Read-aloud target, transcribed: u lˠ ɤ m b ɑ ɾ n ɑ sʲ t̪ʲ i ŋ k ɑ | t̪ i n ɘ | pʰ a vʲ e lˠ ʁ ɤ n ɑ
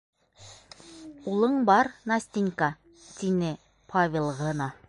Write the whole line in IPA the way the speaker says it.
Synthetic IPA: u lˠ ɤ ɴ b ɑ ɾ n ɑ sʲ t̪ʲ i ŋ k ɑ | t̪ i n ɘ | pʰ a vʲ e lˠ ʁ ɤ n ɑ